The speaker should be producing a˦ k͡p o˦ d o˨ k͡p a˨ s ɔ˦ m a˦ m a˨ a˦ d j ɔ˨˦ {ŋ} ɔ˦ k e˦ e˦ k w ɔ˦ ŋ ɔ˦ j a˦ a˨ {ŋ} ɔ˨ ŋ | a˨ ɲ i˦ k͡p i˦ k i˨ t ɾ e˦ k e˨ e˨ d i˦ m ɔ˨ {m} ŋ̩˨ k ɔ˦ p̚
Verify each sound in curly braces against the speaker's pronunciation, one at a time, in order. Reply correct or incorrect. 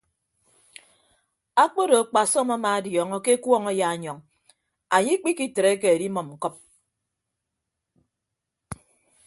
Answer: correct, incorrect: ɲ, correct

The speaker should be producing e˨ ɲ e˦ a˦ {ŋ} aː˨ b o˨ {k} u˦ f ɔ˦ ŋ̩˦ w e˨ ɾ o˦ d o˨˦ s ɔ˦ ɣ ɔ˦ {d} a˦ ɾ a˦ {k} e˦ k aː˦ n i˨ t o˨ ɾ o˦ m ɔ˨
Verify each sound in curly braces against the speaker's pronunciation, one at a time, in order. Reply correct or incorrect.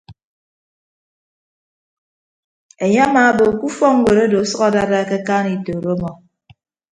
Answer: incorrect: m, correct, correct, correct

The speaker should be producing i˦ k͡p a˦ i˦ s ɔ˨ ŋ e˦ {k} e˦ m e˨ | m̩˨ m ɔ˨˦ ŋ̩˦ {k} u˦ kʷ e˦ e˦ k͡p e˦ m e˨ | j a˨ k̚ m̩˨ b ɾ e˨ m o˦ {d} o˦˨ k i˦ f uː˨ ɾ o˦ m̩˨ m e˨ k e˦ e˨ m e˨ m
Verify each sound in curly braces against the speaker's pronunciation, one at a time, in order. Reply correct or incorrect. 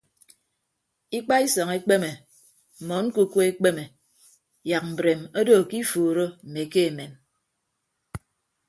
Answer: incorrect: k͡p, correct, correct

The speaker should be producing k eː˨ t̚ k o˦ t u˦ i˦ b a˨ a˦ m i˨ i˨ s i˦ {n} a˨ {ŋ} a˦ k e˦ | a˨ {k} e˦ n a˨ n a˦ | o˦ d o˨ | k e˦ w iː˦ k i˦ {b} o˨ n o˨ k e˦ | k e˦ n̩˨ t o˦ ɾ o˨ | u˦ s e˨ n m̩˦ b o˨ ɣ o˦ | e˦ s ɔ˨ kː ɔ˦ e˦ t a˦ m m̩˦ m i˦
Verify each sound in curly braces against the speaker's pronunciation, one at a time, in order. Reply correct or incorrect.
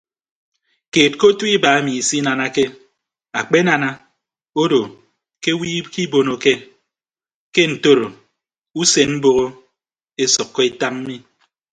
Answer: correct, incorrect: n, incorrect: k͡p, correct

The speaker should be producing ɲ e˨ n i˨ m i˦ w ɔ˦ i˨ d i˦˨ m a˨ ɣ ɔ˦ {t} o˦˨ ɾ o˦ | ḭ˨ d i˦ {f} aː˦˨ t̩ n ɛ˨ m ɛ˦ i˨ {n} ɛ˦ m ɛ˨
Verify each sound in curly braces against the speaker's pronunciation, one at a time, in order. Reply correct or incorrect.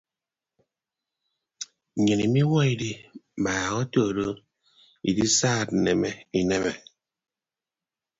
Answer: correct, incorrect: s, correct

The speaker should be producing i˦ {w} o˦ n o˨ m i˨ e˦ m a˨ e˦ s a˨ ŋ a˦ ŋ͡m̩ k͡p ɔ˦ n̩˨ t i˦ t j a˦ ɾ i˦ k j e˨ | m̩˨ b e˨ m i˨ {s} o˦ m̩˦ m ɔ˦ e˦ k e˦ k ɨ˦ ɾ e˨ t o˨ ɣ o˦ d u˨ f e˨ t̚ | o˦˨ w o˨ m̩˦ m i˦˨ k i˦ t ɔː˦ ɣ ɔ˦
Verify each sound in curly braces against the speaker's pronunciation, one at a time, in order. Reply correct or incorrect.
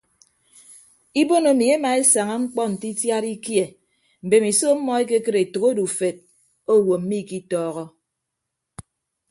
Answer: incorrect: b, correct

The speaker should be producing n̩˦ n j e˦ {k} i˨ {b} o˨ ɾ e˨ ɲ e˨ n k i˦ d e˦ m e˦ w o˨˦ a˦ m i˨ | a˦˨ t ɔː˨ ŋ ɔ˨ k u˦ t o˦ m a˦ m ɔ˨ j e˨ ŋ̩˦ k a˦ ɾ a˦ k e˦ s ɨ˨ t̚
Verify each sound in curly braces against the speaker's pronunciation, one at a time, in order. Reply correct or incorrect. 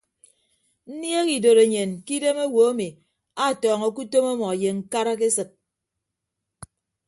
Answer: correct, incorrect: d

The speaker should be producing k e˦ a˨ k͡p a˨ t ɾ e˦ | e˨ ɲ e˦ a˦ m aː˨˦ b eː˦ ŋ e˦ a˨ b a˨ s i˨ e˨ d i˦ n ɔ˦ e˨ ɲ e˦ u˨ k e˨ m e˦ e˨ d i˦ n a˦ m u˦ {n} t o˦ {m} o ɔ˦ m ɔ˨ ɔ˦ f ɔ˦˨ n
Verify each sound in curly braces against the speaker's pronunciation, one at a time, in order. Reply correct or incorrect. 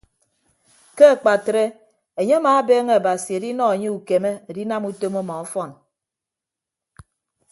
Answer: incorrect: none, correct

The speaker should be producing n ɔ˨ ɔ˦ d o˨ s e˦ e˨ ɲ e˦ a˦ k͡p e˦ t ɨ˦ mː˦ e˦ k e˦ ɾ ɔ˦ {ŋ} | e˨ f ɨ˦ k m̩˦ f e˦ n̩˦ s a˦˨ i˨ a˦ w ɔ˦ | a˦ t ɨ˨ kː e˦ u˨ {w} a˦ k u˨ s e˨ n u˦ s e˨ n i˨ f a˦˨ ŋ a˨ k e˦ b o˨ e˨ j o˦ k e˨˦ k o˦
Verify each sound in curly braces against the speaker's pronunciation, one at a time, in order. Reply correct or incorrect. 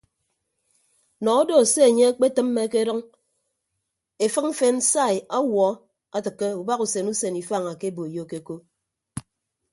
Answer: correct, incorrect: b

